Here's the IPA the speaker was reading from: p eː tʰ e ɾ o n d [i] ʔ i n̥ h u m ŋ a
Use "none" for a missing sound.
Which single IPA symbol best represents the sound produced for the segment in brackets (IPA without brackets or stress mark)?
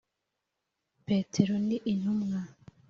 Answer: i